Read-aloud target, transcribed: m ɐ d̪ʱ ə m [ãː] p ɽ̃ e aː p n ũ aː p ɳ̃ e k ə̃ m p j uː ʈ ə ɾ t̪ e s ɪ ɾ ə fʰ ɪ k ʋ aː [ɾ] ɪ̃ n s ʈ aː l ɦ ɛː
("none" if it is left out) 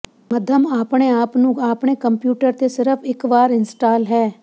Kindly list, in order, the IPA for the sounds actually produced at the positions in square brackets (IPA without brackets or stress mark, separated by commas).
aː, ɾ